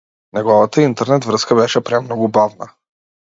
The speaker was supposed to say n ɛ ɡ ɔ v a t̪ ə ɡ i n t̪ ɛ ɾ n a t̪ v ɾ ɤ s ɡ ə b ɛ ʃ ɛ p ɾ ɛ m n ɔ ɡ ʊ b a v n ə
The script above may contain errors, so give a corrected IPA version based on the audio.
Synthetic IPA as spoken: n ɛ ɡ ɔ v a t̪ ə i n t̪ ɛ ɾ n ɛ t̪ v ɾ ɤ s k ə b ɛ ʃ ɛ p ɾ ɛ m n ɔ ɡ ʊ b a v n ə